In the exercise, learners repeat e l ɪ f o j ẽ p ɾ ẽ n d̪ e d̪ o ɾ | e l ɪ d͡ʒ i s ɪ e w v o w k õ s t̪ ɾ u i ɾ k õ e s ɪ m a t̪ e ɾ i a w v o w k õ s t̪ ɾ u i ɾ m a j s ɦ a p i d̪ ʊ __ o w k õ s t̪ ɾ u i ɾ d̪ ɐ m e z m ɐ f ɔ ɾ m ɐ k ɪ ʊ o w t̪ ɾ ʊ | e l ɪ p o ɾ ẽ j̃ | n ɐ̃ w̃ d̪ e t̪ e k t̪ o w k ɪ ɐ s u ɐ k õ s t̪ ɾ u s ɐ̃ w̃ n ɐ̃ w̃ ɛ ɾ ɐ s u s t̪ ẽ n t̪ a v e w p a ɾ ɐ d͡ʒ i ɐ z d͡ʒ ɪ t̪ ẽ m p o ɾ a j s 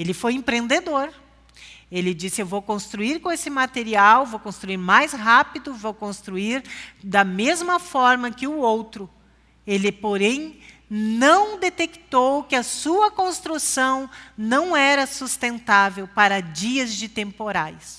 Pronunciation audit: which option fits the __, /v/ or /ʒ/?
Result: v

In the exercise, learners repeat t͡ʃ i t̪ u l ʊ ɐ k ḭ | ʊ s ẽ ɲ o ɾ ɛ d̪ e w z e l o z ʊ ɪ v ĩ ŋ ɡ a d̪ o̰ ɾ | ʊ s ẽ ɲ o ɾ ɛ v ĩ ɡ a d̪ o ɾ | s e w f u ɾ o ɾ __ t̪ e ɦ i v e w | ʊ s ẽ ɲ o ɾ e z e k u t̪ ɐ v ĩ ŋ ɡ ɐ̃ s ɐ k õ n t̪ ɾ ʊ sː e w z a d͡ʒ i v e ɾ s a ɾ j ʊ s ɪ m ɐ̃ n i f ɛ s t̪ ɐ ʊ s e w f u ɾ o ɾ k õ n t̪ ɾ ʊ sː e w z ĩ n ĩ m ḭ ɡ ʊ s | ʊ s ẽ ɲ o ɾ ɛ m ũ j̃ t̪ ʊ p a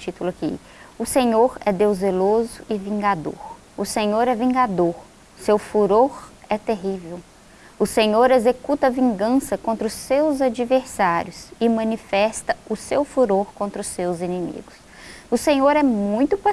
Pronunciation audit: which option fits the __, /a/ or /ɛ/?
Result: ɛ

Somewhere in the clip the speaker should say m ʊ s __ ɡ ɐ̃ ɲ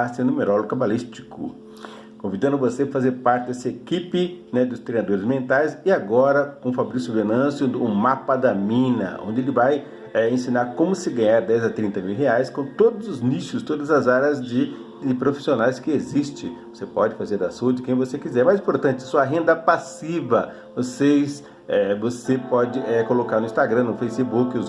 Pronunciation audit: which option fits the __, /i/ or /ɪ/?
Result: ɪ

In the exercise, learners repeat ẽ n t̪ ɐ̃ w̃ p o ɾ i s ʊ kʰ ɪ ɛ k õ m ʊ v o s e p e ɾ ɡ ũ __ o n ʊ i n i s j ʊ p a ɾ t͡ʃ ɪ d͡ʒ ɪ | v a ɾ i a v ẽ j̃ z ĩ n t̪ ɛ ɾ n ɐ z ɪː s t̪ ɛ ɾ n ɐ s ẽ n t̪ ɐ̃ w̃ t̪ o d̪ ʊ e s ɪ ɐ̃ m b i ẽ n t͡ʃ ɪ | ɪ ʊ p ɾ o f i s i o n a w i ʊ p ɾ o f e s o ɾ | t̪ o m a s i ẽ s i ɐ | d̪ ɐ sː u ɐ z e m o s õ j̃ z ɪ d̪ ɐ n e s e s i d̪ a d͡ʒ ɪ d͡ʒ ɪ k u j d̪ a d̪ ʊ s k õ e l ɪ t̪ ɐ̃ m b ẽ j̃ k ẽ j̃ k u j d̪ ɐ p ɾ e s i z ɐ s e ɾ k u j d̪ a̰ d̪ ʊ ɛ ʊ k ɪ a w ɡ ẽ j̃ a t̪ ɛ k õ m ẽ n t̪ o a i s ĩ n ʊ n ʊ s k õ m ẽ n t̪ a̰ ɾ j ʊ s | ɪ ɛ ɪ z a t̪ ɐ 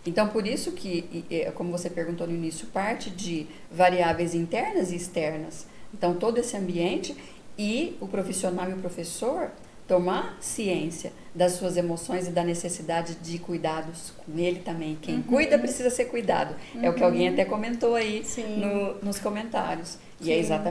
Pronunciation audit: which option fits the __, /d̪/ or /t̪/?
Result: t̪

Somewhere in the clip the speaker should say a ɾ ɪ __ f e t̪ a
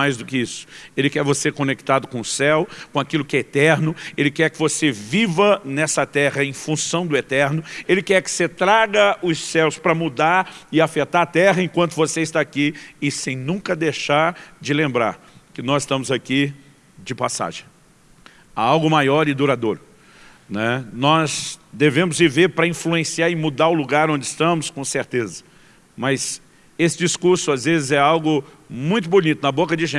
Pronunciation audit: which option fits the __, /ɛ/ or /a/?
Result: a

